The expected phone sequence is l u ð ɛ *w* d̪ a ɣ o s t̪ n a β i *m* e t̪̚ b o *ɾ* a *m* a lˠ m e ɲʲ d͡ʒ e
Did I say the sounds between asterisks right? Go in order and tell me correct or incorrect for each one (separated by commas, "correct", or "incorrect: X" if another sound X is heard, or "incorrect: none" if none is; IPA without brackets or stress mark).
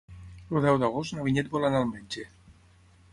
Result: correct, incorrect: ɲ, incorrect: l, incorrect: n